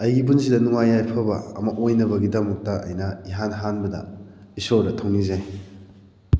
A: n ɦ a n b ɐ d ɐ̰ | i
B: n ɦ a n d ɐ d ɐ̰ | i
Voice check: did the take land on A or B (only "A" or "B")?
A